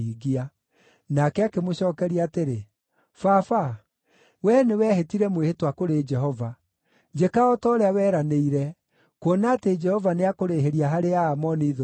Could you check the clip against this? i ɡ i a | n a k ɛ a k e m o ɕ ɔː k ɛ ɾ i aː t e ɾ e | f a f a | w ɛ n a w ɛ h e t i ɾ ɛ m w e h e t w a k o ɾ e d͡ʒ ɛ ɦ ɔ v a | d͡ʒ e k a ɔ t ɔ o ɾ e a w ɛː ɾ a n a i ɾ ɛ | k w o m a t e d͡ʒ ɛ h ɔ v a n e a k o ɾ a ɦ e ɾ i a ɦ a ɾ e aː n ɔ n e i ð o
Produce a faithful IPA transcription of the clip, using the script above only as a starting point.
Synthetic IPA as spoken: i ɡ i a | n a k ɛ a k e m o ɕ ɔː k ɛ ɾ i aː t e ɾ e | f a f a | w ɛ n e w ɛ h e t i ɾ ɛ m w e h e t w a k o ɾ e d͡ʒ ɛ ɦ ɔ v a | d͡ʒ e k a ɔ t ɔ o ɾ e a w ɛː ɾ a n e i ɾ ɛ | k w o n a t e d͡ʒ ɛ h ɔ v a n e a k o ɾ e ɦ e ɾ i a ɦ a ɾ e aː m ɔ n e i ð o

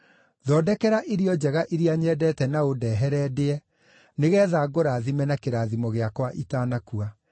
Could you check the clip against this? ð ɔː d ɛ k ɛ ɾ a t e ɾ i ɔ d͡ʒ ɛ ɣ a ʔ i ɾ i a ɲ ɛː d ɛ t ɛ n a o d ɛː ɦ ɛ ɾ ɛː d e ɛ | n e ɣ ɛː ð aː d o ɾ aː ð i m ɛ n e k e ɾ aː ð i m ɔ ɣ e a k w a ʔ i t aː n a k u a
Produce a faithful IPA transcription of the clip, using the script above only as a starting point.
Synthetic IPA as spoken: ð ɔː d ɛ k ɛ ɾ a ʔ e ɾ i ɔ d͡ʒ ɛ ɣ a ʔ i ɾ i a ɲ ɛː d ɛ t ɛ n a o d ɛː ɦ ɛ ɾ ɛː d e ɛ | n e ɣ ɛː ð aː ɡ o ɾ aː ð i m ɛ n a k e ɾ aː ð i m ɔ ɣ e a k w a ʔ i t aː n a k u a

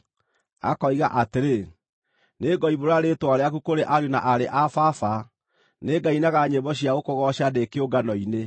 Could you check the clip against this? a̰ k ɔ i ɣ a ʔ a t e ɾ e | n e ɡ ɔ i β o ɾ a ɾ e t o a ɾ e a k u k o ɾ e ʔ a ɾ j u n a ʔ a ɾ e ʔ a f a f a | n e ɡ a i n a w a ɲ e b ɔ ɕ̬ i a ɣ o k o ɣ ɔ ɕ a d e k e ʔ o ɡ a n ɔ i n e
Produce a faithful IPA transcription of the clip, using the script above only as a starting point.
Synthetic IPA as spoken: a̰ k ɔ i ɣ a ʔ a t e ɾ e | n e ɡ ɔ i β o ɾ a ɾ e t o a ɾ e a k u k o ɾ e ʔ a ɾ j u n a ʔ a ɾ e ʔ a f a f a | n e ɡ a i n a ɣ a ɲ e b ɔ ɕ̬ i a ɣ o k o ɣ ɔ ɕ a d e k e o ɡ a n ɔ i n e

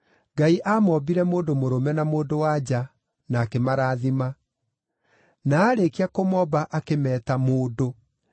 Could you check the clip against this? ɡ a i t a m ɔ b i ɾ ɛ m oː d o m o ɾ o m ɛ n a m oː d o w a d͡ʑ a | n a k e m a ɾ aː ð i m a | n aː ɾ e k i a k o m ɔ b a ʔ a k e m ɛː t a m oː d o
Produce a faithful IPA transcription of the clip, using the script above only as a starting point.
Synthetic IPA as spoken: ɡ a i ʔ a m ɔ b i ɾ ɛ m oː d o m o ɾ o m ɛ n a m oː d o w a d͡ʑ a | n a k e m a ɾ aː ð i m a | n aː ɾ e k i a k o m ɔ b a ʔ a k e m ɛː t a m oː d o

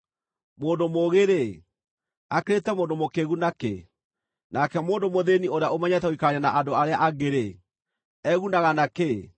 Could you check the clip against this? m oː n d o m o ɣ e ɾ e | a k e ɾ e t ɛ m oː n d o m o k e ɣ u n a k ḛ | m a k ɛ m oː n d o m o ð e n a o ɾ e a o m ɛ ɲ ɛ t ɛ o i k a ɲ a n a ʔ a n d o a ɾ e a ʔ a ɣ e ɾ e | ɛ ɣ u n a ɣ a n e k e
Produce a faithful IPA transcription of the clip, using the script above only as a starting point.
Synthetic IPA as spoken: m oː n d o m o ɣ e ɾ e | a k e ɾ e t ɛ m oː n d o m o k e ɣ u n a k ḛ | n a k ɛ m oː n d o m o ð e n i o ɾ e a o m ɛ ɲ ɛ t ɛ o i k a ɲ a n a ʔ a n d o a ɾ e a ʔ a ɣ e ɾ e | ɛ ɣ u n a ɣ a n a k e

